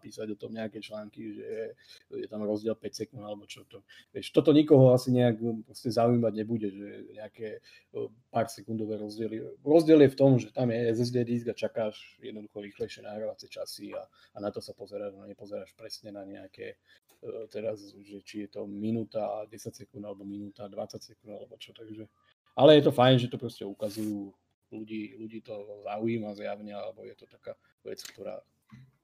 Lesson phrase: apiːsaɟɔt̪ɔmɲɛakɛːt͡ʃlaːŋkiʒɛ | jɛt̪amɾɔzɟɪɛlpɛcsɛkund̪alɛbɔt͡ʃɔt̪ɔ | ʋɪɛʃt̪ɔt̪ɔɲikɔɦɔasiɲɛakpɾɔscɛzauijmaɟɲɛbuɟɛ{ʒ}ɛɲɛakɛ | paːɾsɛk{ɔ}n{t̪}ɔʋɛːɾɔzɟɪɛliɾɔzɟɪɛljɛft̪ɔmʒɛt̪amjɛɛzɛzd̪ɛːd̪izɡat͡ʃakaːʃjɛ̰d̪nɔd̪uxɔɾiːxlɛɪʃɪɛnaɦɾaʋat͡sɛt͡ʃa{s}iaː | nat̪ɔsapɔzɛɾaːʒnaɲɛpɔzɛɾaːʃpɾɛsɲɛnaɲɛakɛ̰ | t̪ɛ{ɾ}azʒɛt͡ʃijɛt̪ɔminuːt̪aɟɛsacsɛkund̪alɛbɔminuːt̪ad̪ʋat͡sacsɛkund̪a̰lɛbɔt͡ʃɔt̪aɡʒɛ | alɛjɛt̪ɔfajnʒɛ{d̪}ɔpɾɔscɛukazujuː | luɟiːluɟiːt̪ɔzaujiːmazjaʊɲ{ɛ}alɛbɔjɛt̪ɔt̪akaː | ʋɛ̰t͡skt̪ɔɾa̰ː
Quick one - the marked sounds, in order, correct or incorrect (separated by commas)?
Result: correct, incorrect, incorrect, correct, correct, incorrect, correct